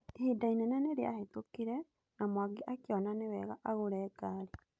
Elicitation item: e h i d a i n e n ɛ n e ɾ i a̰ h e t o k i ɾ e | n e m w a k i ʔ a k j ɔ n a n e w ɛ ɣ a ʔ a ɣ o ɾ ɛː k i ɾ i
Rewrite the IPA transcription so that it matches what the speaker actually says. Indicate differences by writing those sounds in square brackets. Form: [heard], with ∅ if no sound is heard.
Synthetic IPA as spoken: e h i d a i n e n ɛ n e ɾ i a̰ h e t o k i ɾ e | n [a] m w a [ɡ] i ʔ a k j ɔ n a n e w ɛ ɣ a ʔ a ɣ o ɾ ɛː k [a] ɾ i